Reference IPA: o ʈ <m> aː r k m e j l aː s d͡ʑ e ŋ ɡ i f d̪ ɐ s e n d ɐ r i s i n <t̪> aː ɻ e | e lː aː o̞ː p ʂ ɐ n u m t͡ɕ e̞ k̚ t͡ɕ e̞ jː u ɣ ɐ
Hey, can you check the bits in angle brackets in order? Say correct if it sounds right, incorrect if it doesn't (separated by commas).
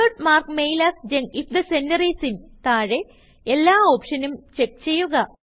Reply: correct, correct